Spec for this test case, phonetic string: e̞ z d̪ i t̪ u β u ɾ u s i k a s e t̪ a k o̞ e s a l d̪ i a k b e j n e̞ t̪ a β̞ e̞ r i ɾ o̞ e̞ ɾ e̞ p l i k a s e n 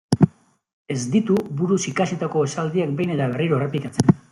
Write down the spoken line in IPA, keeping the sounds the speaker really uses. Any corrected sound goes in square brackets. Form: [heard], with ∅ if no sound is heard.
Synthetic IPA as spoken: e̞ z d̪ i t̪ u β u ɾ u s i k a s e t̪ a k o̞ e s a l d̪ i a k b e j n e̞ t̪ a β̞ e̞ r i ɾ o̞ e̞ [r] e̞ p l i k a [t͡s] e n